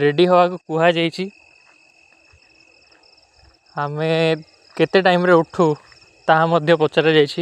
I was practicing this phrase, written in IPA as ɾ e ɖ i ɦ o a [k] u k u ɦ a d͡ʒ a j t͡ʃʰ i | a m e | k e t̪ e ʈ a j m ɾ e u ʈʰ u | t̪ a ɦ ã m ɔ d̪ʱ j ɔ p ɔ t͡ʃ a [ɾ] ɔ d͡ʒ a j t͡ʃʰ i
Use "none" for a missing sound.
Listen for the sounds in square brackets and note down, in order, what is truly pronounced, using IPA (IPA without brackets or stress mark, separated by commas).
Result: k, ɾ